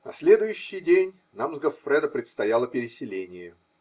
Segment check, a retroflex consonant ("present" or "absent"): absent